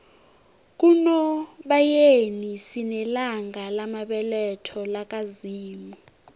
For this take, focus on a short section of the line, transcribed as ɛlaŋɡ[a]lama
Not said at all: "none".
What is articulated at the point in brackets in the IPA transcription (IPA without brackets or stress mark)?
a